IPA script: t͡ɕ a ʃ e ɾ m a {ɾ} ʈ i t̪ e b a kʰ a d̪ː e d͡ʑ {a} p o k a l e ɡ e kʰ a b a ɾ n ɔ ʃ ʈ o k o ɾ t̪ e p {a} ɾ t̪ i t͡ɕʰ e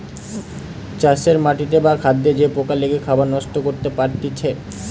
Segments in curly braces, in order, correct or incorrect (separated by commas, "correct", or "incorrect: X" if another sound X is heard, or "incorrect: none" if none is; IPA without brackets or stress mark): incorrect: none, incorrect: e, correct